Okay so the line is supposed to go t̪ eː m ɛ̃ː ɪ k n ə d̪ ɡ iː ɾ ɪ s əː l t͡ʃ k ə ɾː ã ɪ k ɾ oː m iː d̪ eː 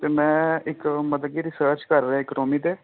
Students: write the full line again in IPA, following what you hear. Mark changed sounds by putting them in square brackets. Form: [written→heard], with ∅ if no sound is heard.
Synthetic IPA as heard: t̪ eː m ɛ̃ː ɪ k [n→m] ə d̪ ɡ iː ɾ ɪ s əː [l→ɾ] t͡ʃ k ə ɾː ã ɪ k ɾ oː m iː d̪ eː